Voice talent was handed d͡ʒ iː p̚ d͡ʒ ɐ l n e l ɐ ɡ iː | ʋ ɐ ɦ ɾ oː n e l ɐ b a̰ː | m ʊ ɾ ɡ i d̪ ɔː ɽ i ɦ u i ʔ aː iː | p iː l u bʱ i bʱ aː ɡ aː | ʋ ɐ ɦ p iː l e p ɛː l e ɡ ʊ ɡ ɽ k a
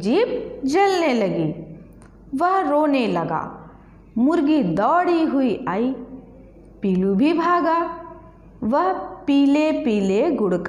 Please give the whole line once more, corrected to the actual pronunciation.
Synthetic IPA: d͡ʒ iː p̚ d͡ʒ ɐ l n e l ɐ ɡ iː | ʋ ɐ ɦ ɾ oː n e l ɐ ɡ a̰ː | m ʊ ɾ ɡ i d̪ ɔː ɽ i ɦ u i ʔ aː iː | p iː l u bʱ i bʱ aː ɡ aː | ʋ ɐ ɦ p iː l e p iː l e ɡ ʊ ɽ k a